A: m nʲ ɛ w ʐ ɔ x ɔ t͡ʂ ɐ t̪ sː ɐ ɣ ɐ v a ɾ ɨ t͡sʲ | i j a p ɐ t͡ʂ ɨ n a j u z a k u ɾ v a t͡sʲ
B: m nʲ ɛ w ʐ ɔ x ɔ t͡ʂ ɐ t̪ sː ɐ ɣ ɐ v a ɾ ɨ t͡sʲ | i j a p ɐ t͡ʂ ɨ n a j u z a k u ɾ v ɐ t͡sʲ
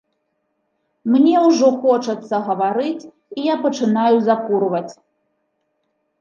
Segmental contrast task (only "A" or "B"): B